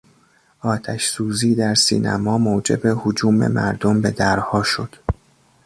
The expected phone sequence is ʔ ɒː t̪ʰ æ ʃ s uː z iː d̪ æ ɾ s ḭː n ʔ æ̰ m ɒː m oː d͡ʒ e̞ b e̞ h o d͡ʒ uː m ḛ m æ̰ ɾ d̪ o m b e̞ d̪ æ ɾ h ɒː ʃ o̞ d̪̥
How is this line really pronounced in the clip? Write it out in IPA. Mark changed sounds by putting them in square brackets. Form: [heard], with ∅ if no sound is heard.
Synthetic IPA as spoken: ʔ ɒː t̪ʰ æ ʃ s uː z iː d̪ æ ɾ s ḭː n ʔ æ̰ m ɒː m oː d͡ʒ e̞ b e̞ h o d͡ʒ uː m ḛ m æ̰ ɾ d̪ o m b e̞ d̪ æ ɾ h ɒː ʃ o̞ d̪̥